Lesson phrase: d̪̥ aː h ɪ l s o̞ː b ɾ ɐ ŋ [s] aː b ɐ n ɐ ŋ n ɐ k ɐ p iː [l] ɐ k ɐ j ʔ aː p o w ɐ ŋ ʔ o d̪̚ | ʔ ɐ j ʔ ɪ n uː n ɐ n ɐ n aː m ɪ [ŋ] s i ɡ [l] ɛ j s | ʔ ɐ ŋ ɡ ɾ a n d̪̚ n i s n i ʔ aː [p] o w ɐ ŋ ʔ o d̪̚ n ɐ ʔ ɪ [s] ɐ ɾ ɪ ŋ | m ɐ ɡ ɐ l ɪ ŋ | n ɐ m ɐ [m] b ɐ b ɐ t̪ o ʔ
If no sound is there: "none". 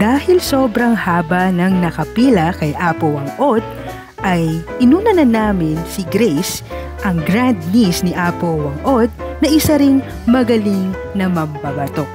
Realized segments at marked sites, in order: h, l, n, ɾ, p, s, m

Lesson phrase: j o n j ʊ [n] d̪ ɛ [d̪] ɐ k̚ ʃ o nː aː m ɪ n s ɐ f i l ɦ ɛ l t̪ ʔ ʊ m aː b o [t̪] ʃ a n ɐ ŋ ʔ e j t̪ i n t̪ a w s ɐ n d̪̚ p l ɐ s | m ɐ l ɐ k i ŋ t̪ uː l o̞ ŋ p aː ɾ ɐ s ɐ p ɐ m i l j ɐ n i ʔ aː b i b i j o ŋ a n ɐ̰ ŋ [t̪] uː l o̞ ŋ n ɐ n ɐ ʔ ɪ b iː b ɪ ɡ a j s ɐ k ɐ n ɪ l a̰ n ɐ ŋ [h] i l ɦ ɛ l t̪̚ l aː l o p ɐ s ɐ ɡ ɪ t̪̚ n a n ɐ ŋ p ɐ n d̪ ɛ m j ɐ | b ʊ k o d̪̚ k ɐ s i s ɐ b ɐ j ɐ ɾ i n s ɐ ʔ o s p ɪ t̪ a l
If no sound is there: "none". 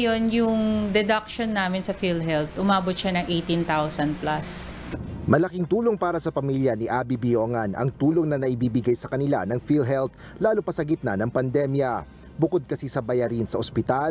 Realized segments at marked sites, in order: ŋ, d̪, t̪, t̪, f

